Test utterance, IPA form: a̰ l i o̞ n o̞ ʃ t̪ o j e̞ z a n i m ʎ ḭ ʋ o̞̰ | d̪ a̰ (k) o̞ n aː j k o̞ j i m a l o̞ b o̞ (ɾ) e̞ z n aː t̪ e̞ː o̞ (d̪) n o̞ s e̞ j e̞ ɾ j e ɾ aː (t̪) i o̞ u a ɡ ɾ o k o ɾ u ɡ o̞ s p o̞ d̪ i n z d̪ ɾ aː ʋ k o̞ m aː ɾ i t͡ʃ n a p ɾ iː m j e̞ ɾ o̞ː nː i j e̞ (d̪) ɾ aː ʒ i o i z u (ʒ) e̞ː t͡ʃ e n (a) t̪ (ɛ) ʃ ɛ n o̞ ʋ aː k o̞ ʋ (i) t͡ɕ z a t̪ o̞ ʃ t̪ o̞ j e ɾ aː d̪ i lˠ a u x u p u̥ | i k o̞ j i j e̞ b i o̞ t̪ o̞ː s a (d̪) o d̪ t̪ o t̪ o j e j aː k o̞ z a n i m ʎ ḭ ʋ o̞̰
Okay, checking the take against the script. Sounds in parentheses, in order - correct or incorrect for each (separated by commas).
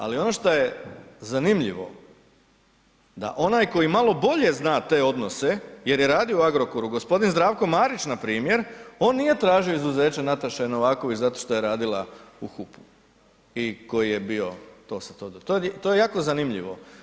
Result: incorrect, incorrect, correct, incorrect, incorrect, incorrect, correct, incorrect, correct, incorrect